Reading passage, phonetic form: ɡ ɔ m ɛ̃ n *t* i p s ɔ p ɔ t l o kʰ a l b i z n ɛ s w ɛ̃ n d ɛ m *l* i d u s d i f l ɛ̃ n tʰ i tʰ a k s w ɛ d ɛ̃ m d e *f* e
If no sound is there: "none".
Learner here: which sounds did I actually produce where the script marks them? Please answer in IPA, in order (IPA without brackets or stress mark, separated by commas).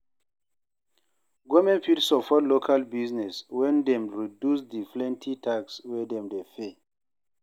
p, ɹ, f